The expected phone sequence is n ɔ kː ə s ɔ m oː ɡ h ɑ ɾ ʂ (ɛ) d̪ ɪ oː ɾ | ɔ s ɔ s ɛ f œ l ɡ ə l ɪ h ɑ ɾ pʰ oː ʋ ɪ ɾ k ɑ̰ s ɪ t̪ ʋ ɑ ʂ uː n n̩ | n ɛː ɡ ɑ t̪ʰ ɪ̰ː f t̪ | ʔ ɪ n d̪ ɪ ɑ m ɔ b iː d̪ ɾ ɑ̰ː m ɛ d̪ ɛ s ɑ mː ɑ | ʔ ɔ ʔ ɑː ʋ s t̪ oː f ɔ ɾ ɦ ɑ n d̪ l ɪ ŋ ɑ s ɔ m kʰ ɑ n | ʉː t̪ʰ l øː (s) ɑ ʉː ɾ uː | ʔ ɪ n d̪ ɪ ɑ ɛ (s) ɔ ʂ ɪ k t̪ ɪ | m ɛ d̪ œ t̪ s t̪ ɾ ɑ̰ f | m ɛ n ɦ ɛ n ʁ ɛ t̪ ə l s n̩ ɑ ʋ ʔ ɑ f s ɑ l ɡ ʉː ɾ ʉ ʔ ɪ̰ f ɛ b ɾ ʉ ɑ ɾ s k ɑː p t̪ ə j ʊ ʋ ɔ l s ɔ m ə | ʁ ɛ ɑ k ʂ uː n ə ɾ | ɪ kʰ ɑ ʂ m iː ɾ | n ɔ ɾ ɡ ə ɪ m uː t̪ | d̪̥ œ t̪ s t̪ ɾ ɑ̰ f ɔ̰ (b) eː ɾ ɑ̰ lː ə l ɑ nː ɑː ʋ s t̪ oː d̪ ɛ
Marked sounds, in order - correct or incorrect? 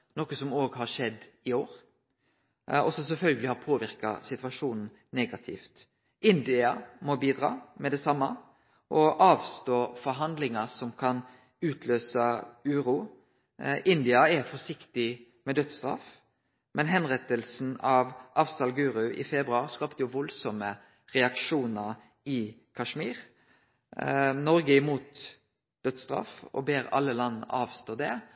correct, correct, incorrect, correct

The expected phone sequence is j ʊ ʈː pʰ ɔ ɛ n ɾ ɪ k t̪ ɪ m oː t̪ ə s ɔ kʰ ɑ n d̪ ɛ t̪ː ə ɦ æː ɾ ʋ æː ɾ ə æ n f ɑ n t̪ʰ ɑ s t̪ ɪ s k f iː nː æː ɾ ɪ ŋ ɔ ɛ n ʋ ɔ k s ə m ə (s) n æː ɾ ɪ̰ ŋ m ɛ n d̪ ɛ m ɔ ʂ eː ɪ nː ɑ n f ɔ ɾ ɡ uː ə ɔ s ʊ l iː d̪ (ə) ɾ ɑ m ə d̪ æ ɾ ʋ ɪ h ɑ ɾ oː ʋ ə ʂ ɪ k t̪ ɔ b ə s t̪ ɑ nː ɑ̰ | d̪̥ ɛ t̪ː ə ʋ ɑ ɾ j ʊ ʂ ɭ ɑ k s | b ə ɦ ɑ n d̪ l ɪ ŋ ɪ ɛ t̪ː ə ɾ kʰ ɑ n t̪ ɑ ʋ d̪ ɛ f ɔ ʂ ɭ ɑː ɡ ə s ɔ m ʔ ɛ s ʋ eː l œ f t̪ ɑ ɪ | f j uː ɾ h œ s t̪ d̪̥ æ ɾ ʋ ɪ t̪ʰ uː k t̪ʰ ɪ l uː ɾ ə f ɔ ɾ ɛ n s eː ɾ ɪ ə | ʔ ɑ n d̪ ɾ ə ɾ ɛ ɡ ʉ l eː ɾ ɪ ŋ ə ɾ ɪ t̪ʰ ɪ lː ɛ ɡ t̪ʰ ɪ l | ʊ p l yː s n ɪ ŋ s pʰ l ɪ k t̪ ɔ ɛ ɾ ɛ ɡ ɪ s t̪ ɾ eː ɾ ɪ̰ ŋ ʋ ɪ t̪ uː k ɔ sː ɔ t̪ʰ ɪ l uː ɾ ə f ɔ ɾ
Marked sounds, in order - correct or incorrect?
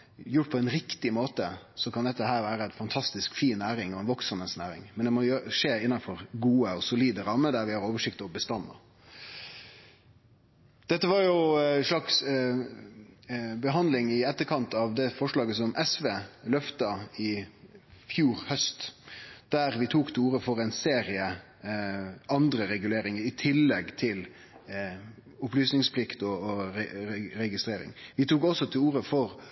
correct, correct

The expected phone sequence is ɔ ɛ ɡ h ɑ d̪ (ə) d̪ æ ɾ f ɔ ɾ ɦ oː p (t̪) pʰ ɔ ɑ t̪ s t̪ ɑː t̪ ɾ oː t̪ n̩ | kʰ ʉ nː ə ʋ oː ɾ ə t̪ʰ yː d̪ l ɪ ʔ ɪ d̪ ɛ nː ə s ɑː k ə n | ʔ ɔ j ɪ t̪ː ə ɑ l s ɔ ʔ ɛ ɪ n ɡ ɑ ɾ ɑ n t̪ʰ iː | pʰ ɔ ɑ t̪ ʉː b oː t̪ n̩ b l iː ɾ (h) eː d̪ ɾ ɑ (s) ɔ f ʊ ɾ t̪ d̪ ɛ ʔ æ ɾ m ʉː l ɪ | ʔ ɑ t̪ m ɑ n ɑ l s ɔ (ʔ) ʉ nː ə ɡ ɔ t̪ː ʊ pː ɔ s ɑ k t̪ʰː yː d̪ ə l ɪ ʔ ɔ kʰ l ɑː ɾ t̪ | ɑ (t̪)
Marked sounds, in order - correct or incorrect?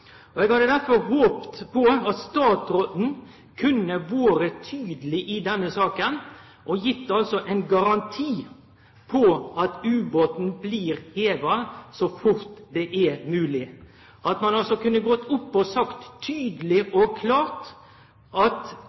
correct, correct, correct, correct, incorrect, correct

